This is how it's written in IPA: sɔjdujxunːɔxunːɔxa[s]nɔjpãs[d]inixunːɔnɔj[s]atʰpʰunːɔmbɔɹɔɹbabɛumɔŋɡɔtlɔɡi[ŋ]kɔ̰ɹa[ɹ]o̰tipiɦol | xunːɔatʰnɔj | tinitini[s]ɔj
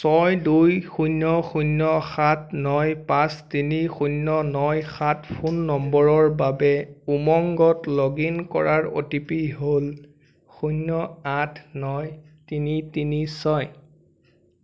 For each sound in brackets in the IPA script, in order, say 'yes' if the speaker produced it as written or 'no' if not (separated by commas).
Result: no, no, no, no, yes, yes